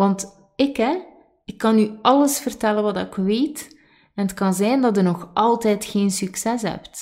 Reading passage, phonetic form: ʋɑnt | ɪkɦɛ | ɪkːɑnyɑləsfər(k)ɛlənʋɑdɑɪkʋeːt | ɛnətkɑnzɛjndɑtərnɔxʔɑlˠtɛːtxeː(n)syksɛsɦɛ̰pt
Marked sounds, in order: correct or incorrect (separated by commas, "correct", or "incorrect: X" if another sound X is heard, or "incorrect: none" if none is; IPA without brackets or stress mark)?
incorrect: t, correct